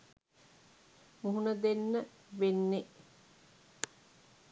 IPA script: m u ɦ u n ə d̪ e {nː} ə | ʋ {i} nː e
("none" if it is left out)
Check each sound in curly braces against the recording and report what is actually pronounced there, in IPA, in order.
nː, e

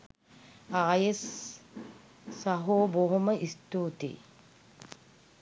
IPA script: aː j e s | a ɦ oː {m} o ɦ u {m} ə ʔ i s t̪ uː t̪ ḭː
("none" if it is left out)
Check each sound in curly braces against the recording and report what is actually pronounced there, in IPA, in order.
b, m

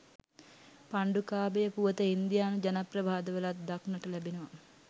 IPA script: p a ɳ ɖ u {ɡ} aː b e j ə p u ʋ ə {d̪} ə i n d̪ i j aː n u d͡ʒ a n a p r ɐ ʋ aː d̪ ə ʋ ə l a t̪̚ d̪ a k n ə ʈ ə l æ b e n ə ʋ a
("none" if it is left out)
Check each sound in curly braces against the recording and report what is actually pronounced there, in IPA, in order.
k, t̪

